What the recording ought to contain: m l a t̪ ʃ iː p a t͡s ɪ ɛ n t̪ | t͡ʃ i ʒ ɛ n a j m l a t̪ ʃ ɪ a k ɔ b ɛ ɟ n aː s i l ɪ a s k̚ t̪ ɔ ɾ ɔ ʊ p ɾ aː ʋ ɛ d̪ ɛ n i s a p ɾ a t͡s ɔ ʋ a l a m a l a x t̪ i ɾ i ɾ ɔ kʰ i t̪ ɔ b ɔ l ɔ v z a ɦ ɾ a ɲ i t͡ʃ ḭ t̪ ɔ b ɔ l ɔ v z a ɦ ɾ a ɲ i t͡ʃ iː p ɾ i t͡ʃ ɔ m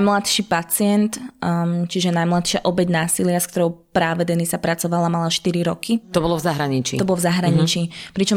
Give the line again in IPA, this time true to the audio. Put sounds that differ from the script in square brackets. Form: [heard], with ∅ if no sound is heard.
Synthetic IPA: m l a t̪ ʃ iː p a t͡s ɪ ɛ n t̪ | t͡ʃ i ʒ ɛ n a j m l a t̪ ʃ ɪ a [ʔ] ɔ b ɛ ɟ n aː s i l ɪ a s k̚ t̪ ɔ ɾ ɔ ʊ p ɾ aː ʋ ɛ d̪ ɛ n i s a p ɾ a t͡s ɔ ʋ a l a m a l a [ʃ] t̪ i ɾ i ɾ ɔ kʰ i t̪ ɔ b ɔ l ɔ v z a ɦ ɾ a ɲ i t͡ʃ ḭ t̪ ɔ b ɔ l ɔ v z a ɦ ɾ a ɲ i t͡ʃ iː p ɾ i t͡ʃ ɔ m